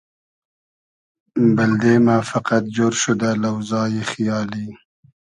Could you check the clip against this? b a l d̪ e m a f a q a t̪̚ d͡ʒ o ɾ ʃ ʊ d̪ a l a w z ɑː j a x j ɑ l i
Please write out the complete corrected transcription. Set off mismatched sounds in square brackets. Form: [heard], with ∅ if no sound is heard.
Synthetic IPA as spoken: b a l d̪ e m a f a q a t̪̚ d͡ʒ o ɾ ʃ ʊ d̪ a l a w z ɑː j [e] x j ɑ l i

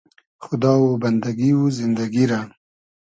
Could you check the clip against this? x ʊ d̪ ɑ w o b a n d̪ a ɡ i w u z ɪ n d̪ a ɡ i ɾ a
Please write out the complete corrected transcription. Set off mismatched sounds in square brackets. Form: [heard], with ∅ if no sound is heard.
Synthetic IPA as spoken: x ʊ d̪ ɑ w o b a n d̪ a ɡ i w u z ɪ n d̪ a ɡ i ɾ a

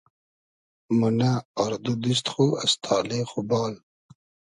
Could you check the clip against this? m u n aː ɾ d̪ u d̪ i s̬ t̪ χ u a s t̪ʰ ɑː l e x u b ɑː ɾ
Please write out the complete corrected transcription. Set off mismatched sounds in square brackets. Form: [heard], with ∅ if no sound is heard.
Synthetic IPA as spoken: m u n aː ɾ d̪ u d̪ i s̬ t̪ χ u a s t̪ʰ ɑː l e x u b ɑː [l]

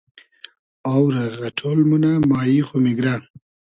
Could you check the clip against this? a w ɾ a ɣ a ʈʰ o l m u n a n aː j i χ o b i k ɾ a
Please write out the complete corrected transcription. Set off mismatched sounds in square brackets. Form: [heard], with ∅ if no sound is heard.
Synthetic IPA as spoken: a w ɾ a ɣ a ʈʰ o l m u n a [m] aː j i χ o [m] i [ɡ] ɾ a

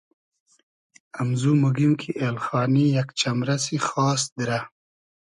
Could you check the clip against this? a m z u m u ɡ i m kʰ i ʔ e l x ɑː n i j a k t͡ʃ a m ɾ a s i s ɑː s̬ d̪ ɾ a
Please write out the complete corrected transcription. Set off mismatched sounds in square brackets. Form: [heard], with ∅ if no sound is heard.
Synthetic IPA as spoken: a m z u m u ɡ i m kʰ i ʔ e l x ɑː n i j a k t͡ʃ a m ɾ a s i [x] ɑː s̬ d̪ ɾ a

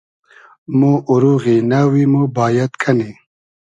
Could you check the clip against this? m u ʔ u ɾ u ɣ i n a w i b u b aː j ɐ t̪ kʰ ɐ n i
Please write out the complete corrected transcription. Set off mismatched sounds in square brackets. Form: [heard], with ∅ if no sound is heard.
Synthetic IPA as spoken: m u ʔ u ɾ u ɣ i n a w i [m] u b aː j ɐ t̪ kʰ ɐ n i

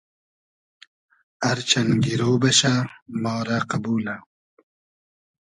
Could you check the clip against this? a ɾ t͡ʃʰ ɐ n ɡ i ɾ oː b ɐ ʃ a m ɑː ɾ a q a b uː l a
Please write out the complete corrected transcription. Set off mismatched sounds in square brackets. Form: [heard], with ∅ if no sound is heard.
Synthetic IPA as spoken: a ɾ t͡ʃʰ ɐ n ɡ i ɾ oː b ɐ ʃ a m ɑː ɾ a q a b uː l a

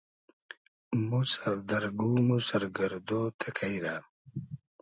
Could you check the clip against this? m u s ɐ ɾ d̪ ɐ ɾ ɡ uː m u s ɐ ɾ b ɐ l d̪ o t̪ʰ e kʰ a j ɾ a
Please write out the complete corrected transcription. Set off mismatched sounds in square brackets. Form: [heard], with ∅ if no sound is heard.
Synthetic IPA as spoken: m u s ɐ ɾ d̪ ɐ ɾ ɡ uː m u s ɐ ɾ [ɡ] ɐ [ɾ] d̪ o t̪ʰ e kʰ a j ɾ a

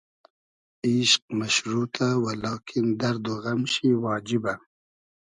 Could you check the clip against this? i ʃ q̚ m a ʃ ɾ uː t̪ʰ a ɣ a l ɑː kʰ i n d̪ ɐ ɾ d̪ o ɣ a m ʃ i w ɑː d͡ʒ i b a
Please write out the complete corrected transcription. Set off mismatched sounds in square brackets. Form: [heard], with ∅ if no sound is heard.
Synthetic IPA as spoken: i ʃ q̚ m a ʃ ɾ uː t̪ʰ a [w] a l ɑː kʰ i n d̪ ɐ ɾ d̪ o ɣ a m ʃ i w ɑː d͡ʒ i b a

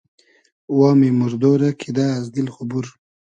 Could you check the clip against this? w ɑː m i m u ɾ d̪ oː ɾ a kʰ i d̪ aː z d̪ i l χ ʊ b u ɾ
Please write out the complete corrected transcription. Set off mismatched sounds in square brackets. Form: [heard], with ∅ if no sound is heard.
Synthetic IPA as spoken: w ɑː m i m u ɾ d̪ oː ɾ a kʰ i d̪ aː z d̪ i l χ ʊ b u ɾ

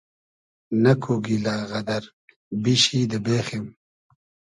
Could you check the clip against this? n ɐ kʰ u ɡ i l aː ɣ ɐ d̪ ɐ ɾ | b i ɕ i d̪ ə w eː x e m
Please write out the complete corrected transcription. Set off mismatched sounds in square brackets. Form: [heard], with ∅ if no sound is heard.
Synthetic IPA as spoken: n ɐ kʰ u ɡ i l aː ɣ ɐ d̪ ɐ ɾ | b i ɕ i d̪ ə [b] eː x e m

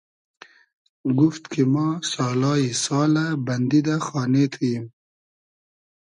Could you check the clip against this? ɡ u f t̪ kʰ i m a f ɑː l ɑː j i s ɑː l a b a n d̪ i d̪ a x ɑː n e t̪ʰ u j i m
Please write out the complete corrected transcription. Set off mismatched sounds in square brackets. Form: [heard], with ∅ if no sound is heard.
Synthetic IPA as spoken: ɡ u f t̪ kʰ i m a [s] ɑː l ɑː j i s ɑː l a b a n d̪ i d̪ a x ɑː n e t̪ʰ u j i m

